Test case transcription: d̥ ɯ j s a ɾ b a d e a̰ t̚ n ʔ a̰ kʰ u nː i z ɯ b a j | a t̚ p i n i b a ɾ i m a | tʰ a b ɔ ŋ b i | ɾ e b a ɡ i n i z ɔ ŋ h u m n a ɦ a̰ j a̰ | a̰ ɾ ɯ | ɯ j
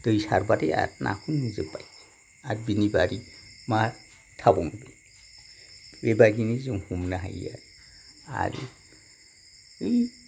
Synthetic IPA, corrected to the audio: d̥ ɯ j s a ɾ b a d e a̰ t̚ n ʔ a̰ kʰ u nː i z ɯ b a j | a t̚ b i n i b a ɾ i m a | tʰ a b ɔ ŋ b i | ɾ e b a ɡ i n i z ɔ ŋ h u m n a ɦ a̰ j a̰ | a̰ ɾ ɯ | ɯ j